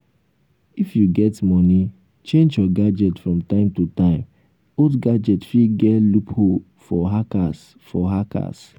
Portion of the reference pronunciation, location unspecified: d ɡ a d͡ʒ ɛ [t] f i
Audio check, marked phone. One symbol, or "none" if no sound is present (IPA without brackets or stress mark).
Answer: t